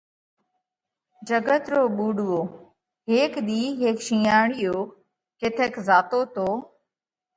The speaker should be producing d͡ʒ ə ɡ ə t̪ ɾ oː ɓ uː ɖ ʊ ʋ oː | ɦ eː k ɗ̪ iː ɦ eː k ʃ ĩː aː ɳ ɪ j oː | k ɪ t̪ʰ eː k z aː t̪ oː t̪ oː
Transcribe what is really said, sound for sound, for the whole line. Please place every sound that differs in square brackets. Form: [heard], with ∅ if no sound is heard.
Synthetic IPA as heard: d͡ʒ ə ɡ ə t̪ ɾ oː ɓ uː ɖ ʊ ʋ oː | ɦ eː k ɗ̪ iː ɦ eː k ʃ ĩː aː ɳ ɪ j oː | k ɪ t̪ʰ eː k z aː t̪ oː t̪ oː